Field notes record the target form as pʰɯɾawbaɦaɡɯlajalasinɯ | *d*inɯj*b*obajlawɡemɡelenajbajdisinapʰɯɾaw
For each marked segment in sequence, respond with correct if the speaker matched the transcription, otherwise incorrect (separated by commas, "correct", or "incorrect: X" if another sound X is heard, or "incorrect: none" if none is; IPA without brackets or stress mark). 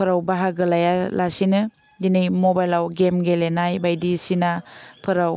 correct, incorrect: m